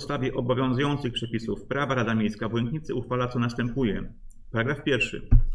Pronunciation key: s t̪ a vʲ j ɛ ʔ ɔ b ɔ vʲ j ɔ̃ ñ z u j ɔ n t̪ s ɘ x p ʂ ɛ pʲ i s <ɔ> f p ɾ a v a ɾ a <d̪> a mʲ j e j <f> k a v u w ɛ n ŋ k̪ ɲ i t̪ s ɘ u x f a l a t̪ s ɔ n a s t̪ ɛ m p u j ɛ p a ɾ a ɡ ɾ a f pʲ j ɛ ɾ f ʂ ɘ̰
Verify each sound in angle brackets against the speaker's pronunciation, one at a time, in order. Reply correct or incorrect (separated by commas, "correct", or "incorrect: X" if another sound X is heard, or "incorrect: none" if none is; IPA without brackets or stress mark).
incorrect: u, correct, incorrect: s